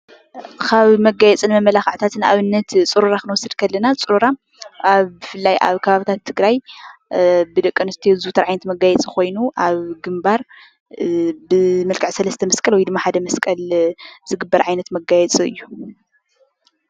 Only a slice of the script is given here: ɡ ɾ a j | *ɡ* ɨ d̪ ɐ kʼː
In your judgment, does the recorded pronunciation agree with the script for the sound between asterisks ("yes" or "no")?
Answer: no